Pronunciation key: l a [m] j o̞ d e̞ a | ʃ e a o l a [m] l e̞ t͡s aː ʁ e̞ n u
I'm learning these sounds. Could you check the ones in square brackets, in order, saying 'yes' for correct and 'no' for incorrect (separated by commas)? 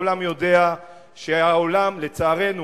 yes, yes